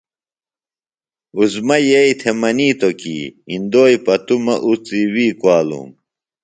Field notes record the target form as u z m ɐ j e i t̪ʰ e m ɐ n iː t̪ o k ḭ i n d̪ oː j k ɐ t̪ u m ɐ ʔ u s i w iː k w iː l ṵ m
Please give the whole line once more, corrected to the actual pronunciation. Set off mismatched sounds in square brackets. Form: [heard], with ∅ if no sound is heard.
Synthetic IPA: u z m ɐ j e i t̪ʰ e m ɐ n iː t̪ o k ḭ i n d̪ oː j [p] ɐ t̪ u m ɐ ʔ u [t͡s] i w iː k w [aː] l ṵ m